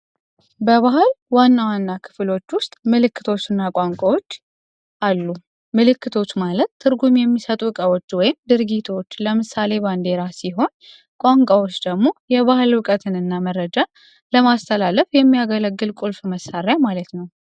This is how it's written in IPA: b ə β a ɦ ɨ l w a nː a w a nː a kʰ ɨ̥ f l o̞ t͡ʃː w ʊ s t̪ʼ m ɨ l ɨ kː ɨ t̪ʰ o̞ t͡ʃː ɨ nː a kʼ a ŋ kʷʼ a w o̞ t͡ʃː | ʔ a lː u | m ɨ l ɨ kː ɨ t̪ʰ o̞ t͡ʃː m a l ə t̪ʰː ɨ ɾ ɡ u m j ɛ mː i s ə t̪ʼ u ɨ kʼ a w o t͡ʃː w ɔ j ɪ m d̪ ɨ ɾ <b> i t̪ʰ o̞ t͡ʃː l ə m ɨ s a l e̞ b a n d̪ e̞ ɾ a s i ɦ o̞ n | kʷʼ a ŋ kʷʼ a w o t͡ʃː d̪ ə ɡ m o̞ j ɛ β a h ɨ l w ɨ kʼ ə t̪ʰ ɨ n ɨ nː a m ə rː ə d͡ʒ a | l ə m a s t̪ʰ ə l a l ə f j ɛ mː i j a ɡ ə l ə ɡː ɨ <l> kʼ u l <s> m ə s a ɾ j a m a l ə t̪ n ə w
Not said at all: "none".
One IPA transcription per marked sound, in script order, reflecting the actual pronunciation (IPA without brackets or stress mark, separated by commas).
ɡ, l, f